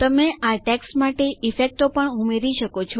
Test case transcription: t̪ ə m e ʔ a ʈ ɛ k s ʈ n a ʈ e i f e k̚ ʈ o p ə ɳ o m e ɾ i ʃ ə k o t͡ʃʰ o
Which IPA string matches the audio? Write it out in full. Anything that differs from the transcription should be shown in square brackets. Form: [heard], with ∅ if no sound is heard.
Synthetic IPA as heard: t̪ ə m e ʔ a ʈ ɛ k s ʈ [m] a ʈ e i f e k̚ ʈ o p ə ɳ [u] m e ɾ i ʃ ə k o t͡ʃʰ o